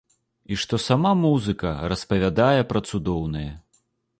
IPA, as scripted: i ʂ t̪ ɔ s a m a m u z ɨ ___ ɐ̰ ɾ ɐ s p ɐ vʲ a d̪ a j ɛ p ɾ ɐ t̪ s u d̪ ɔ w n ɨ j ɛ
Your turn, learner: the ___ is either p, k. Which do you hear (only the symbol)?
k